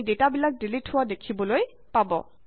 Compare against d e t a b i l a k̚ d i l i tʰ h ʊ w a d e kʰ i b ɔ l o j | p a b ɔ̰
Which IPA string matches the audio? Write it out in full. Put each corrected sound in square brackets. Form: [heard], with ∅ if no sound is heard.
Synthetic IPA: d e t a b i l a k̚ d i l i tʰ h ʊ w a d e kʰ i b ɔ l o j | p a b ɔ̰